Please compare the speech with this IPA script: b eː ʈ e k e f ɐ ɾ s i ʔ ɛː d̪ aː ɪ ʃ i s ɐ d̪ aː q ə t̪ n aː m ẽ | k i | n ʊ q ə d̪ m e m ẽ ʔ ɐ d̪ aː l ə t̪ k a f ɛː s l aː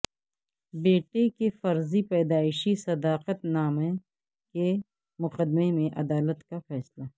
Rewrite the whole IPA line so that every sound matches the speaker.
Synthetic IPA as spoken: b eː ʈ e k e f ɐ ɾ z i p ɛː d̪ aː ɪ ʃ i s ɐ d̪ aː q ə t̪ n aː m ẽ | k e | m ʊ q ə d̪ m e m ẽ ʔ ɐ d̪ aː l ə t̪ k a f ɛː s l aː

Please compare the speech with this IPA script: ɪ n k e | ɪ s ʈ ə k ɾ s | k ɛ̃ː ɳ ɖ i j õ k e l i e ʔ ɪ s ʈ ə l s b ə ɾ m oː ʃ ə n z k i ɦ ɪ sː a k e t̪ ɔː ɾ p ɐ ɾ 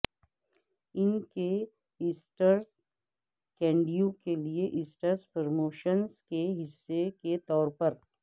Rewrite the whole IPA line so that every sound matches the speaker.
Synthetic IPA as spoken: ɪ n k e | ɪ s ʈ ə ɾ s | k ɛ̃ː ɳ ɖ i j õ k e l i e ʔ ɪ s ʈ ə ɾ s p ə ɾ m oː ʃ ə n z k e ɦ ɪ sː e k e t̪ ɔː ɾ p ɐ ɾ

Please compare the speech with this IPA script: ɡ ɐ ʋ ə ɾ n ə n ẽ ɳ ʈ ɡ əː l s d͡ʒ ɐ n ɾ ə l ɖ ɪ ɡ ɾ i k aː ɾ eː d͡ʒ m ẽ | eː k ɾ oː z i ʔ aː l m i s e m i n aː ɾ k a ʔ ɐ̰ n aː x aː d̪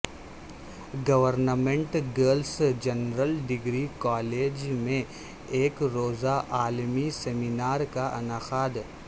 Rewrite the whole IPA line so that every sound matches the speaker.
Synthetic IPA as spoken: ɡ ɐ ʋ ə ɾ n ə m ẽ ɳ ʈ ɡ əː l s d͡ʒ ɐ n ɾ ə l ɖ ɪ ɡ ɾ i k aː l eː d͡ʒ m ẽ | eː k ɾ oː z a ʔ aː l m i s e m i n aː ɾ k a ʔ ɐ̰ n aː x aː d̪

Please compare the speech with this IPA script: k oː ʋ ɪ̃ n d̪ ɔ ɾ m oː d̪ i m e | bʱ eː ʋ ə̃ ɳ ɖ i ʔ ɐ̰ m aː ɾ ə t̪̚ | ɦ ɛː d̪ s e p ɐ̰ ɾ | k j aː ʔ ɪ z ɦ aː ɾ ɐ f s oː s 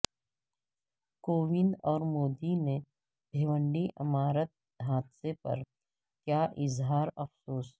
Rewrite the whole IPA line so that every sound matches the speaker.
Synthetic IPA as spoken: k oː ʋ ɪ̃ n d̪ ɔː ɾ m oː d̪ i n e | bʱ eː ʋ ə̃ ɳ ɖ i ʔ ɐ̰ m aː ɾ ə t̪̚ | ɦ aː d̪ s e p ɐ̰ ɾ | k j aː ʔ ɪ z ɦ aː ɾ ɐ f s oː s

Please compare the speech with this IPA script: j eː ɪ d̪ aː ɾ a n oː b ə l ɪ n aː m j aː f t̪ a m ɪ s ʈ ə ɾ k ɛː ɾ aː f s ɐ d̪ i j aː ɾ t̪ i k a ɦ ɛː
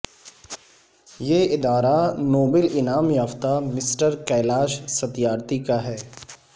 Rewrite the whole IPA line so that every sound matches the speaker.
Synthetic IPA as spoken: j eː ɪ d̪ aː ɾ a n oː b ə l ɪ n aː m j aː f t̪ a m ɪ s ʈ ə ɾ k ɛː l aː ʃ s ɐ t̪ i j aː ɾ t̪ i k a ɦ ɛː

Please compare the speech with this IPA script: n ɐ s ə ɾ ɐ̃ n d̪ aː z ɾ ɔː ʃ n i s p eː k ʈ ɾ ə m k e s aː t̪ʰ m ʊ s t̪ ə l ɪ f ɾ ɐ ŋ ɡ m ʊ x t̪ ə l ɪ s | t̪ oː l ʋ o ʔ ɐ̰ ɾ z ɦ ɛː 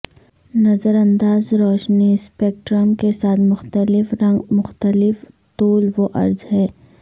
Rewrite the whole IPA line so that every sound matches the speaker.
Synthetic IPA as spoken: n ɐ z ə ɾ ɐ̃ n d̪ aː z ɾ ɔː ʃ n i s p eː k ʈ ɾ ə m k e s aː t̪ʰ m ʊ x t̪ ə l ɪ f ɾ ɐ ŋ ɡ m ʊ x t̪ ə l ɪ f | t̪ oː l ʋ o ʔ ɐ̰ ɾ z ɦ ɛː

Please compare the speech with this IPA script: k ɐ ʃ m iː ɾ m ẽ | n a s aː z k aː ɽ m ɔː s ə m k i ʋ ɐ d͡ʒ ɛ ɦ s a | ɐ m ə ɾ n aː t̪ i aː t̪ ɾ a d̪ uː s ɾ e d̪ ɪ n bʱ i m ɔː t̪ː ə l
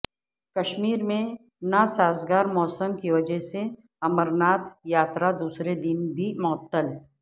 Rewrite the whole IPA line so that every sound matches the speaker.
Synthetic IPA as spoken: k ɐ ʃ m iː ɾ m ẽ | n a s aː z ɡ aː ɾ m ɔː s ə m k i ʋ ɐ d͡ʒ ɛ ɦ s e | ɐ m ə ɾ n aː t̪ j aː t̪ ɾ a d̪ uː s ɾ e d̪ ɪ n bʱ i m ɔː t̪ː ə l

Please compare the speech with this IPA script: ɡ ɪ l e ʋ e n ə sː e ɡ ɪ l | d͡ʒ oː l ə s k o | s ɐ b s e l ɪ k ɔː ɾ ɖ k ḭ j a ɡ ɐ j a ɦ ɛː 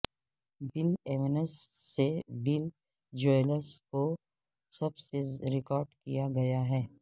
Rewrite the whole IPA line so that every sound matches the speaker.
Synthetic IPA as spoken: b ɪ l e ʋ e n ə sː e b ɪ l | d͡ʒ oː l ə s k o | s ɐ b s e ɾ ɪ k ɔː ɾ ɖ k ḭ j a ɡ ɐ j a ɦ ɛː

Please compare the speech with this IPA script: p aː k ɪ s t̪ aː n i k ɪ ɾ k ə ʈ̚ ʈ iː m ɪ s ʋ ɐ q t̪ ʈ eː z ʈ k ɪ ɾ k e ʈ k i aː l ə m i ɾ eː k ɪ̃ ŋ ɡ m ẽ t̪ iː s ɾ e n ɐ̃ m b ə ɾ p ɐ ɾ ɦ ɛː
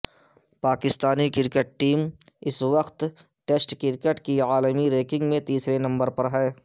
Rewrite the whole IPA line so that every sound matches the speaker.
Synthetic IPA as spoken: p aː k ɪ s t̪ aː n i k ɪ ɾ k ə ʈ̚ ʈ iː m ɪ s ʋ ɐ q t̪ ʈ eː s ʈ k ɪ ɾ k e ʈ k i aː l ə m i ɾ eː k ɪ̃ ŋ ɡ m ẽ t̪ iː s ɾ e n ɐ̃ m b ə ɾ p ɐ ɾ ɦ ɛː

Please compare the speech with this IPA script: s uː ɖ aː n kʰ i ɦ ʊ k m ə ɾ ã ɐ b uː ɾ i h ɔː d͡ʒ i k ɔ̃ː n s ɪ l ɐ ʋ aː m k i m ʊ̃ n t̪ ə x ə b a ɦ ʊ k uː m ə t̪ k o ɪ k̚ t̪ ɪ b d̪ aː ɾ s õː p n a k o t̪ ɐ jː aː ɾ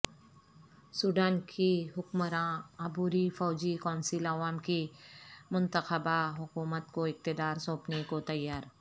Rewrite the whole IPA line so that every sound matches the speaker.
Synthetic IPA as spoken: s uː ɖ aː n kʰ i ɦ ʊ k m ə ɾ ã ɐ b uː ɾ i f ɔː d͡ʒ i k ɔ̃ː n s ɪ l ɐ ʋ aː m k i m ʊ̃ n t̪ ə x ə b a ɦ ʊ k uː m ə t̪ k o ɪ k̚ t̪ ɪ d̪ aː ɾ s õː p n e k o t̪ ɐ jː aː ɾ

